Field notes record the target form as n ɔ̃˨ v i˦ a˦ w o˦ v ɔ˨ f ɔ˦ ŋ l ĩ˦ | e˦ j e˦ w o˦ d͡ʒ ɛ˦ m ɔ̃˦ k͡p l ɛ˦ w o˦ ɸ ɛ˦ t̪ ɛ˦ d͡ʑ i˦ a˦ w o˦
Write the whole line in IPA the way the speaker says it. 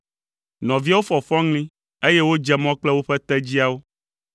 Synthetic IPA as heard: n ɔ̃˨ v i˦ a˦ w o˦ f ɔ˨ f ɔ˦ ŋ l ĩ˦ | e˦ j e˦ w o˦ d͡ʒ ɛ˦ m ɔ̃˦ k͡p l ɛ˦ w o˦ ɸ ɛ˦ t̪ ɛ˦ d͡ʑ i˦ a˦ w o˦